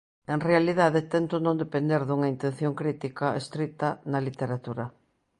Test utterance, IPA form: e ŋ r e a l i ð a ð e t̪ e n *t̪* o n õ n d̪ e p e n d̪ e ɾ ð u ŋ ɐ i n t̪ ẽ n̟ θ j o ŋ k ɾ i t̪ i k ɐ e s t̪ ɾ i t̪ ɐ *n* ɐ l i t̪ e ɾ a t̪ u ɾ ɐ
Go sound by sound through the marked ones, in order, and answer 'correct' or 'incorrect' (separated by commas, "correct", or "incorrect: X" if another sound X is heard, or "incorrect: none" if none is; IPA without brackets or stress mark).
correct, correct